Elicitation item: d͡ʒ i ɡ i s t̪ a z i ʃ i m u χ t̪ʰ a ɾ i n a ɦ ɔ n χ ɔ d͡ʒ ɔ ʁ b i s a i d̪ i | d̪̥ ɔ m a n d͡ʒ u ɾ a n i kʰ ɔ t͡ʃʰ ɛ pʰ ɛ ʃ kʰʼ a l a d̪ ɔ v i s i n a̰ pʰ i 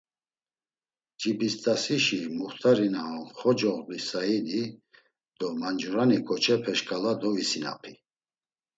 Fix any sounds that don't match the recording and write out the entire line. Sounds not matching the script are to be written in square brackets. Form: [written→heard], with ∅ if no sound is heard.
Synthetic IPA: d͡ʒ i [ɡ→b] i s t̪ a [z→s] i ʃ i m u χ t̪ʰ a ɾ i n a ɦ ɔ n χ ɔ d͡ʒ ɔ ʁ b i s a i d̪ i | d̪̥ ɔ m a n d͡ʒ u ɾ a n i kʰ ɔ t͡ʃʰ ɛ pʰ ɛ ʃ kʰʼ a l a d̪ ɔ v i s i n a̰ pʰ i